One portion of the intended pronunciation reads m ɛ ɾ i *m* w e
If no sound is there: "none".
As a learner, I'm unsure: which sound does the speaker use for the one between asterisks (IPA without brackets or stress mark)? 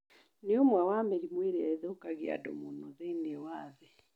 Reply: m